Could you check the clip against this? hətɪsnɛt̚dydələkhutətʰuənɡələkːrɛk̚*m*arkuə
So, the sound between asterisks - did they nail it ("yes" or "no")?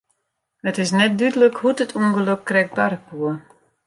no